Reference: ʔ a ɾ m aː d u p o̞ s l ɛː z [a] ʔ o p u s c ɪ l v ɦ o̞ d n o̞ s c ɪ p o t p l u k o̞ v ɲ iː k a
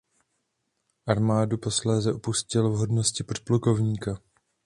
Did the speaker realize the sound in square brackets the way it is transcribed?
no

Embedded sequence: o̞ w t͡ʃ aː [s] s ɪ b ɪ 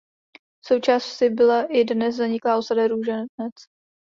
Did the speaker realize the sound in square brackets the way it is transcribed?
yes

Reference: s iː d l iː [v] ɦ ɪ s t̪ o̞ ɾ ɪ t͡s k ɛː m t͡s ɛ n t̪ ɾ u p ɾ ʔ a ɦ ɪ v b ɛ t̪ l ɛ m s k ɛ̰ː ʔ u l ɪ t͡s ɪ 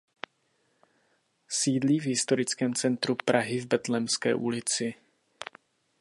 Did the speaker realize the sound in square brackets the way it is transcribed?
yes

